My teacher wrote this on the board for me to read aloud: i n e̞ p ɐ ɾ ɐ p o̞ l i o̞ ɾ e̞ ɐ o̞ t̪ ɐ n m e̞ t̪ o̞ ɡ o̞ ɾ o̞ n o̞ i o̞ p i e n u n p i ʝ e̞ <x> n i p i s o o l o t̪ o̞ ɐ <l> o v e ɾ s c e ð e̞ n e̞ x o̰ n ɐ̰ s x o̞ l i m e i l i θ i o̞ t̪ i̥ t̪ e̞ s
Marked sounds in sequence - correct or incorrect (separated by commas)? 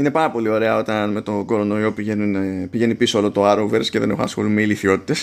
incorrect, incorrect